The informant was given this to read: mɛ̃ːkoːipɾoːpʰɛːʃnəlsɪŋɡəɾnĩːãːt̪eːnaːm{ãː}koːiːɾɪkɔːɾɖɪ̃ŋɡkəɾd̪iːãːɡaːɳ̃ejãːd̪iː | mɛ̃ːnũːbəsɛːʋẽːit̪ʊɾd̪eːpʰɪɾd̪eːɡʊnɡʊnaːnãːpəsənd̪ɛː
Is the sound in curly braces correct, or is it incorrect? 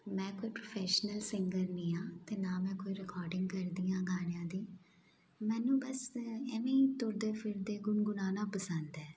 incorrect